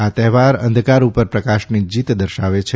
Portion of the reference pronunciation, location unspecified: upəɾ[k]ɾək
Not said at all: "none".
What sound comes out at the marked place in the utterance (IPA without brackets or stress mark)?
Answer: p